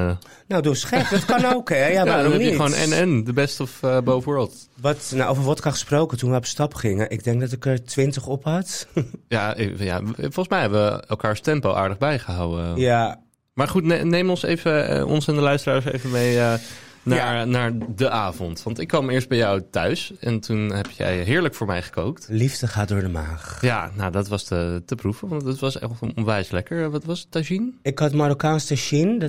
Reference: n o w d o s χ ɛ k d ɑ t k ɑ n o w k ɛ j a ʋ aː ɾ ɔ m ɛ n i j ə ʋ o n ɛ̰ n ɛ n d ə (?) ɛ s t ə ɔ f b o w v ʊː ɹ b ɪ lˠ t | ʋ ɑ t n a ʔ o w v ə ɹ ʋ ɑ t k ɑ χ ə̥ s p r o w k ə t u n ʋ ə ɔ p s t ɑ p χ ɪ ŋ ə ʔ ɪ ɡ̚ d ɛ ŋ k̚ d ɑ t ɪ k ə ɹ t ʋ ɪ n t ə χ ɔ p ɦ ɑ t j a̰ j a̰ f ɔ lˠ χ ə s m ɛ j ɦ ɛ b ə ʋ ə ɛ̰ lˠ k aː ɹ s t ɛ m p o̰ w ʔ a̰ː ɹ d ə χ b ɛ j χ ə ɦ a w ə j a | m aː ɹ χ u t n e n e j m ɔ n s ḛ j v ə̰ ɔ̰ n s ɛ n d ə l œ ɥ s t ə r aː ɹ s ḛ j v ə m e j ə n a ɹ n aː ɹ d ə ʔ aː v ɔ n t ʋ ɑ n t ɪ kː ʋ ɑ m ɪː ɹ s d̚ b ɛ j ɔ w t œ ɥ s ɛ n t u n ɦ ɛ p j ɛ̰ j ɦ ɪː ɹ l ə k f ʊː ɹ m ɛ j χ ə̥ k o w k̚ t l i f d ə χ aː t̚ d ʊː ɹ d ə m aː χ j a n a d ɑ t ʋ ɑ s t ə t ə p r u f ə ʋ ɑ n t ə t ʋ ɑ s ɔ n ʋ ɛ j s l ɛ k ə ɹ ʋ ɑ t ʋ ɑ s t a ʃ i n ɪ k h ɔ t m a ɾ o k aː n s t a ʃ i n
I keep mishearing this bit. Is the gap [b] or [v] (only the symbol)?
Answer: b